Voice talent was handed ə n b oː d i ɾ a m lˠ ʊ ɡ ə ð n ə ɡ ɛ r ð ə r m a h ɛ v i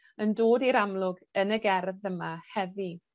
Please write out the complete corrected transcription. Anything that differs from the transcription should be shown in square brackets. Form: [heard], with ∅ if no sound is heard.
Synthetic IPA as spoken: ə n [d] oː d i ɾ a m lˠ ʊ ɡ ə [∅] n ə ɡ ɛ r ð ə [∅] m a h ɛ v i